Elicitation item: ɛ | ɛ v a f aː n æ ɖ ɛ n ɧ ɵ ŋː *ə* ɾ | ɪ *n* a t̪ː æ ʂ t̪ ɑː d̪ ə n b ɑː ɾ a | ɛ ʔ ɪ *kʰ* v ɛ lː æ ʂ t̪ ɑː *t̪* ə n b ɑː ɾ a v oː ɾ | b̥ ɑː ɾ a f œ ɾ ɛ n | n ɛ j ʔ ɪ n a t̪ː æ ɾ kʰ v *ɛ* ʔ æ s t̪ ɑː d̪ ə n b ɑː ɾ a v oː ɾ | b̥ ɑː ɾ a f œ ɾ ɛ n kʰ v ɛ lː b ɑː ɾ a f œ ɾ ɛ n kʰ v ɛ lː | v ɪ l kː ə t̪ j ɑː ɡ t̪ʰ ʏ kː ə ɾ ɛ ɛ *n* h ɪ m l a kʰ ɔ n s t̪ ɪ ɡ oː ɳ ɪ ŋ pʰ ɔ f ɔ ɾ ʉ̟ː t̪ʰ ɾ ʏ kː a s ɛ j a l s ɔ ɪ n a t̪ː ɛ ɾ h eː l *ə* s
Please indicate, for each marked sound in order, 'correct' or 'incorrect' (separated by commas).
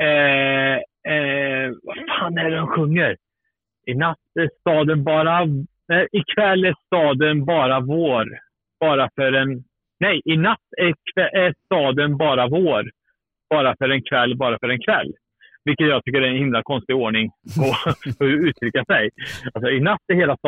correct, correct, correct, incorrect, correct, correct, incorrect